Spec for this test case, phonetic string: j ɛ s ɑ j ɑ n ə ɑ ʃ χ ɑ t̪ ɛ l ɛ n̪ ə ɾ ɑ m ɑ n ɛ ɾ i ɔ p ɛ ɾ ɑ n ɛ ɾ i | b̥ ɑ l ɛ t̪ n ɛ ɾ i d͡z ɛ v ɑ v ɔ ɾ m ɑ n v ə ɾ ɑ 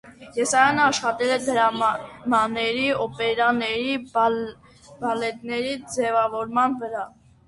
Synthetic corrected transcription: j ɛ s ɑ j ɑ n ə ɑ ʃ χ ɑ t̪ ɛ l ɛ d̪ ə ɾ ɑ m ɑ n ɛ ɾ i ɔ p ɛ ɾ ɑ n ɛ ɾ i | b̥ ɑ l ɛ t̪ n ɛ ɾ i d͡z ɛ v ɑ v ɔ ɾ m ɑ n v ə ɾ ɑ